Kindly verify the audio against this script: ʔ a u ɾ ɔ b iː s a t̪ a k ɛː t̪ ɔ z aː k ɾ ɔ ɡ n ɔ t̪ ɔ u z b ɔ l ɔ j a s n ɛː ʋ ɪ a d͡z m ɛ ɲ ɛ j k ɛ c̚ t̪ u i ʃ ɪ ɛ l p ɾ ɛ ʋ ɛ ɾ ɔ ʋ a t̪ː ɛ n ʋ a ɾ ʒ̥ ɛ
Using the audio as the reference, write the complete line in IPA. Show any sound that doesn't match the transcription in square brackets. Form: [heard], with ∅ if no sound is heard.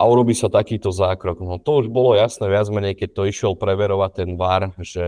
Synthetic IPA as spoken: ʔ a u ɾ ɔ b iː s a t̪ a k [iː] t̪ ɔ z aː k ɾ ɔ ɡ n ɔ t̪ ɔ u [ʒ] b ɔ l ɔ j a s n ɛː ʋ ɪ a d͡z m ɛ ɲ ɛ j k ɛ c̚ t̪ [ɔ] i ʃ ɪ ɛ l p ɾ ɛ ʋ ɛ ɾ ɔ ʋ a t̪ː ɛ n ʋ a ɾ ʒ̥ ɛ